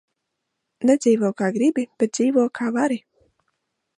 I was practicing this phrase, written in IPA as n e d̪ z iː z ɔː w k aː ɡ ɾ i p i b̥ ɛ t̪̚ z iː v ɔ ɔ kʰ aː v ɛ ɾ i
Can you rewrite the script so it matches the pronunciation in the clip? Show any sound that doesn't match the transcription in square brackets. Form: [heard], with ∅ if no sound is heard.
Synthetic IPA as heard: n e d̪ z iː [v] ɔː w k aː ɡ ɾ i [b] i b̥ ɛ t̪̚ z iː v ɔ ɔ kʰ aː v [a] ɾ i